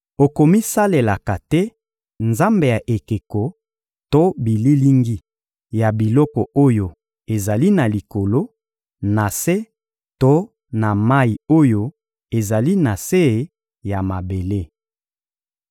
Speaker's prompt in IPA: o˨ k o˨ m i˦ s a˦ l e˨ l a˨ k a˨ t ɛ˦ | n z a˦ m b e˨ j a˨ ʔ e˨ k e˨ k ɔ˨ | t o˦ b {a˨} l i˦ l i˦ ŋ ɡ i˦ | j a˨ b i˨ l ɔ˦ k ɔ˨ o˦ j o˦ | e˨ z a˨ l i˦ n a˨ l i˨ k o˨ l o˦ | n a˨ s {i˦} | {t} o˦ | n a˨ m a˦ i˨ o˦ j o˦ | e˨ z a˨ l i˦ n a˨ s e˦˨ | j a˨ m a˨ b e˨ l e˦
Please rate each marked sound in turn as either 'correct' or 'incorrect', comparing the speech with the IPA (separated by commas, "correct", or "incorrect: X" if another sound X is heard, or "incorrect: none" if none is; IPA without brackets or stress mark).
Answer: incorrect: i˨, incorrect: e˦, correct